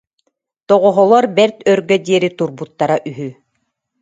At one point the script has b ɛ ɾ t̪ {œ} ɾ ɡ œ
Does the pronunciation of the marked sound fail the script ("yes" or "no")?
no